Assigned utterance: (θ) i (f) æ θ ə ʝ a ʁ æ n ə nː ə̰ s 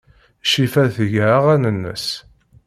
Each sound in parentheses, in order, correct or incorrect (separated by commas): incorrect, correct